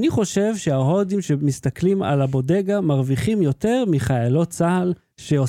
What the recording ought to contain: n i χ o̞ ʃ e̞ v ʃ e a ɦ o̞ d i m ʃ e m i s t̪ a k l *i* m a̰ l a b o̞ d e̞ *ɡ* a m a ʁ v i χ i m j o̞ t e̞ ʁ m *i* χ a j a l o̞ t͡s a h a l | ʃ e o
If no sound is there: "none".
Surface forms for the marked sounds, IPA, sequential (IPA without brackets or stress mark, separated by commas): i, ɡ, i